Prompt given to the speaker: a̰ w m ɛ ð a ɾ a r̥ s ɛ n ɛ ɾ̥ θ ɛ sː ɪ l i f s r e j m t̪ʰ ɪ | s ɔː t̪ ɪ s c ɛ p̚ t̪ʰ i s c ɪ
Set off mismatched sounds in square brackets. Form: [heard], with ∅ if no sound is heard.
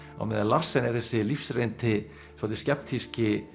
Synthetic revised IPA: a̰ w m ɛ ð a [l] a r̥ s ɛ n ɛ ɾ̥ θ ɛ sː ɪ l i f s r e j [n] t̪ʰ ɪ | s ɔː t̪ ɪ s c ɛ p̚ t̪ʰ i s c ɪ